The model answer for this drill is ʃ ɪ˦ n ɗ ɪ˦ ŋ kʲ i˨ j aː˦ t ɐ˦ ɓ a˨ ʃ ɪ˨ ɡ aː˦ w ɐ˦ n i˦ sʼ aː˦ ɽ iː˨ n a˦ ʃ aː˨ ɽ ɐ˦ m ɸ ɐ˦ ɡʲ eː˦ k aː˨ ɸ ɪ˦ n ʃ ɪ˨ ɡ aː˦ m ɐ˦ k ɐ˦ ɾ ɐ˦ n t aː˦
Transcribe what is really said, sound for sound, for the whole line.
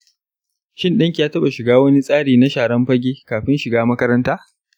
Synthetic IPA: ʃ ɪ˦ n ɗ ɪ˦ ŋ kʲ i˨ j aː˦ t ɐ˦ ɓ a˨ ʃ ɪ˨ ɡ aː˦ w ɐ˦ n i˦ sʼ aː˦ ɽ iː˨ n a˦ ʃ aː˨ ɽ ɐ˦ m ɸ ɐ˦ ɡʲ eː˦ k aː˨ ɸ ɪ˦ n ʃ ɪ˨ ɡ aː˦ m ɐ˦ k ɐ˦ ɾ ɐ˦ n t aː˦

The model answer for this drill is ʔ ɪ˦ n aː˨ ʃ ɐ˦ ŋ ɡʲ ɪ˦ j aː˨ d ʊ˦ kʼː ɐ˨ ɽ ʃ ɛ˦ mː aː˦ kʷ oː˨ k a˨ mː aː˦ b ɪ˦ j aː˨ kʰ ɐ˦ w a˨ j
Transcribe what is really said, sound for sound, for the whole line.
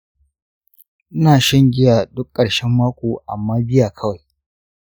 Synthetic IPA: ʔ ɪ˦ n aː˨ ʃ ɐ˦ ŋ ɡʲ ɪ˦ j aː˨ d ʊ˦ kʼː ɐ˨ ɽ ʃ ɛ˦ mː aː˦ kʷ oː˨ ʔ a˨ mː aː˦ b ɪ˦ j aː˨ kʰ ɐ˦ w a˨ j

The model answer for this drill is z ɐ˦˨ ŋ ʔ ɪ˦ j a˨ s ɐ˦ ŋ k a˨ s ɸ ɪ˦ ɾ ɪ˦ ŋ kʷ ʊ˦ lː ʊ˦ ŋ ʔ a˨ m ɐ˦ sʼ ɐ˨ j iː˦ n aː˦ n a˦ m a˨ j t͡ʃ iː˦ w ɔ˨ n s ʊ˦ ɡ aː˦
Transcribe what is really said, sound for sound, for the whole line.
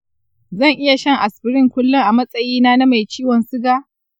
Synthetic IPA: z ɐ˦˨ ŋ ʔ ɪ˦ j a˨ ʃ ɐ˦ ŋ ʔ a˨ s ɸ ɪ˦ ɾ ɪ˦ ŋ kʷ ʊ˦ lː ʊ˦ ŋ ʔ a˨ m ɐ˦ sʼ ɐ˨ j iː˦ n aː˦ n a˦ m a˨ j t͡ʃ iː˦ w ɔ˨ n s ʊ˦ ɡ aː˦

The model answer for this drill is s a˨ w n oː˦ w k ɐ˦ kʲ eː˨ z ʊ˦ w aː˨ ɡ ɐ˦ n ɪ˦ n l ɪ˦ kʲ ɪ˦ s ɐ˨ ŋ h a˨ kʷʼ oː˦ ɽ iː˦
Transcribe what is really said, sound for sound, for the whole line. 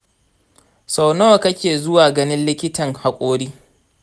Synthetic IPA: s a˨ w n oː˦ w k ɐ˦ kʲ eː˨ z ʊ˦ w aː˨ ɡ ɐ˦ n ɪ˦ n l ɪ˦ kʲ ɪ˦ t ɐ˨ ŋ h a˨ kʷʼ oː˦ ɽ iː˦

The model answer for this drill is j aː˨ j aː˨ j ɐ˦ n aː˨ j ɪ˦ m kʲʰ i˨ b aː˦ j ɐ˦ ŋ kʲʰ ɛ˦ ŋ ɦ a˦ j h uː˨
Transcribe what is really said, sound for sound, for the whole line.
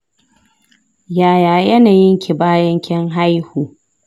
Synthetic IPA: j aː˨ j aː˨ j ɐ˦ n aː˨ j ɪ˦ ŋ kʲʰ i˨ b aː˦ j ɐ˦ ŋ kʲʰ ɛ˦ ŋ ɦ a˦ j h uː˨

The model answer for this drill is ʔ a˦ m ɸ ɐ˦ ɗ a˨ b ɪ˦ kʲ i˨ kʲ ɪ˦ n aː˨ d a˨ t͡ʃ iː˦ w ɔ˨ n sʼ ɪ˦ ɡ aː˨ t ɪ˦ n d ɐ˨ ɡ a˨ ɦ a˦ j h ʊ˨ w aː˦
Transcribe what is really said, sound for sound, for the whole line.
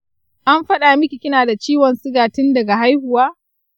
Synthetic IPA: ʔ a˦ m ɸ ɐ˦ ɗ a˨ m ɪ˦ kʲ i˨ kʲ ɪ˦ n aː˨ d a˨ t͡ʃ iː˦ w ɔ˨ n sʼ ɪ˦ ɡ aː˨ t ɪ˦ n d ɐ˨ ɡ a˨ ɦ a˦ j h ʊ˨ w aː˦

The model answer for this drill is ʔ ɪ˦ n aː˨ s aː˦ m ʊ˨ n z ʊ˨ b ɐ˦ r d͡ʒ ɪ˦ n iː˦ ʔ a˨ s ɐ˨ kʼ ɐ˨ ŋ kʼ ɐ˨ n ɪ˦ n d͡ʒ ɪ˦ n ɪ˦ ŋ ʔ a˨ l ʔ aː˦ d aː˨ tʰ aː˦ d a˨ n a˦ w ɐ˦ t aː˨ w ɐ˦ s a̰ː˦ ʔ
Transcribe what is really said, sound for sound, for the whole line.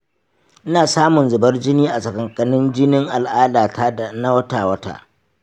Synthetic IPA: ʔ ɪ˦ n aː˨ s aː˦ m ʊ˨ n z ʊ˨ b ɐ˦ r d͡ʒ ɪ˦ n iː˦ ʔ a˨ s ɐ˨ k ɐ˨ ŋ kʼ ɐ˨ n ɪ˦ n d͡ʒ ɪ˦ n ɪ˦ ŋ ʔ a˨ l ʔ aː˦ d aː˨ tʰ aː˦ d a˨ n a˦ w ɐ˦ t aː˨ w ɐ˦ t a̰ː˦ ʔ

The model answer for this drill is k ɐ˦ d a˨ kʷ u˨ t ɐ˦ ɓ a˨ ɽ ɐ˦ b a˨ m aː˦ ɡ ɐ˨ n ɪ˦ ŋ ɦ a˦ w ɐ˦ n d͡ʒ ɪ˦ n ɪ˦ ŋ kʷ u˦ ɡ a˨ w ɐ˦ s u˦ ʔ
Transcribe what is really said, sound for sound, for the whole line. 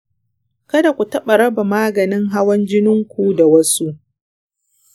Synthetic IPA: k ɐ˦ d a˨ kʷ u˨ t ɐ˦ ɓ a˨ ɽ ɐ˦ b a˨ m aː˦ ɡ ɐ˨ n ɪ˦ ŋ ɦ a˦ w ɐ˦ n d͡ʒ ɪ˦ n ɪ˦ ŋ kʷ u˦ d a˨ w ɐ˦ s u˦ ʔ

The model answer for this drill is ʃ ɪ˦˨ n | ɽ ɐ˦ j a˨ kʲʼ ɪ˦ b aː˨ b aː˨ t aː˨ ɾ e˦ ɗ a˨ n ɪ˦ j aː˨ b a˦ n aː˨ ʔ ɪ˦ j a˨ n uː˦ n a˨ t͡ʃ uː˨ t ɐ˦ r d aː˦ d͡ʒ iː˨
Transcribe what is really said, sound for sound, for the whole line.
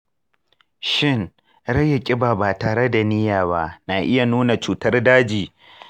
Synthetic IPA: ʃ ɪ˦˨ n | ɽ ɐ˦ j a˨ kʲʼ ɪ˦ b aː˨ b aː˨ t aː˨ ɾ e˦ d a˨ n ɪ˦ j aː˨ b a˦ n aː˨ ʔ ɪ˦ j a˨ n uː˦ n a˨ t͡ʃ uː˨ t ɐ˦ r d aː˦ d͡ʒ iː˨

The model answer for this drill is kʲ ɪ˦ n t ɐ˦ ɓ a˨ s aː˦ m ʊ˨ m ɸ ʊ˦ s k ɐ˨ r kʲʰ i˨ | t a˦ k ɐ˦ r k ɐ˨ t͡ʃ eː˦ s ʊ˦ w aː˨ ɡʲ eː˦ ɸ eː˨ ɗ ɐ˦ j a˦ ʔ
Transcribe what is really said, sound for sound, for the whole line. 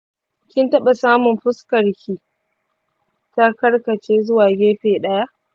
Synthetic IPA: kʲ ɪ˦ n t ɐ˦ ɓ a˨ s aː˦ m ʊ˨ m ɸ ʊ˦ s k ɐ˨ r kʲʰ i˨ | t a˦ k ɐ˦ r k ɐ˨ t͡ʃ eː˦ z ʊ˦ w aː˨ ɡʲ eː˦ ɸ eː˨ ɗ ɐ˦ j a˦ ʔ

